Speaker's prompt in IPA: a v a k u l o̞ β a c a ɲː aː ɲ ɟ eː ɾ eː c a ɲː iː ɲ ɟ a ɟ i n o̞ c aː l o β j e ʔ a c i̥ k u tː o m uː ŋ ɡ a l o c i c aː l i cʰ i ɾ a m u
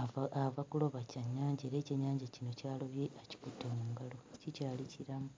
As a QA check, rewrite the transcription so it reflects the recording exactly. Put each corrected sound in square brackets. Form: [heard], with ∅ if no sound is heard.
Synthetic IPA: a v a k u l o̞ β a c a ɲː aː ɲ ɟ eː ɾ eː c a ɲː [aː] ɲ ɟ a [c] i n o̞ c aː l o β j e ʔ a c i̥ k u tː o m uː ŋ ɡ a l o c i c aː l i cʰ i ɾ a m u